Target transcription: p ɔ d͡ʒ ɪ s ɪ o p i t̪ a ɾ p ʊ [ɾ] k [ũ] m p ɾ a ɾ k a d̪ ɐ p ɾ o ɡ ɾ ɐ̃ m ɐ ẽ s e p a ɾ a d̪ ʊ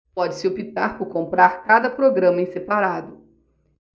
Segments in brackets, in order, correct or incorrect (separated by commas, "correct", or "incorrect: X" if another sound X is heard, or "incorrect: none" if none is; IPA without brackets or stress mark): correct, incorrect: õ